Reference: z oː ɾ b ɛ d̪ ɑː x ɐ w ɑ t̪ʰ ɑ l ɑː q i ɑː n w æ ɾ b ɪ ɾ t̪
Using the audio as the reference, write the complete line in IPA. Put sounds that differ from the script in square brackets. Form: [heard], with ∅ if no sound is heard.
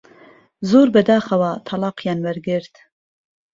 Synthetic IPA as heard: z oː ɾ b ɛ d̪ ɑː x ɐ w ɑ t̪ʰ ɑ l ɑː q [j] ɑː n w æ ɾ [ɡ] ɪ ɾ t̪